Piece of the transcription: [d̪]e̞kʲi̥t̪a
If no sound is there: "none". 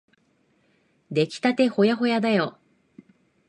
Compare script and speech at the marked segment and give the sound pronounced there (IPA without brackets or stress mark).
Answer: d̪